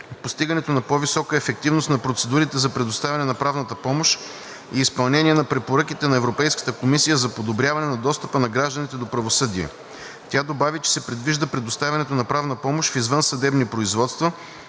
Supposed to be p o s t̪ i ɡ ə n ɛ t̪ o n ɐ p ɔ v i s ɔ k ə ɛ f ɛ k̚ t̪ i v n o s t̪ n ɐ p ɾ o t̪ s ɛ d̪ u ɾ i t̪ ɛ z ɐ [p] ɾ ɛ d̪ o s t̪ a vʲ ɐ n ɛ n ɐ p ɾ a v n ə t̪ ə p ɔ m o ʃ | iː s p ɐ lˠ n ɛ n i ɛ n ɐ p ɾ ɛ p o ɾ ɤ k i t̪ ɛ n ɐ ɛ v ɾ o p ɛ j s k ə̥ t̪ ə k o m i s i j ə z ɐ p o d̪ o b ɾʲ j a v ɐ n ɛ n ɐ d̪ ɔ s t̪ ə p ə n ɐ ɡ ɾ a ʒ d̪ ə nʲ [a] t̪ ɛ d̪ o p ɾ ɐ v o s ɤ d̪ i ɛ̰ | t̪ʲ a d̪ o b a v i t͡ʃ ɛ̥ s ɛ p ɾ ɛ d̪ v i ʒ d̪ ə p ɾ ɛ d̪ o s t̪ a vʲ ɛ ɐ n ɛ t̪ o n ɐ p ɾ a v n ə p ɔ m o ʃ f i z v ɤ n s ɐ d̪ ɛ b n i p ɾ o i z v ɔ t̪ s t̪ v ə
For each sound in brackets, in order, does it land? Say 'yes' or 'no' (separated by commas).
yes, no